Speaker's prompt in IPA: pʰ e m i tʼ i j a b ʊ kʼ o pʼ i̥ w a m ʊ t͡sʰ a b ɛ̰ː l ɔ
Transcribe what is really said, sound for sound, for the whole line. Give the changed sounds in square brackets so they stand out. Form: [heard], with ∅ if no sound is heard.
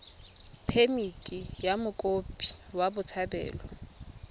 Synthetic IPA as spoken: pʰ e m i tʼ i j a [m] ʊ kʼ o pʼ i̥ w a [b] ʊ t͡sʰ a b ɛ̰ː l ɔ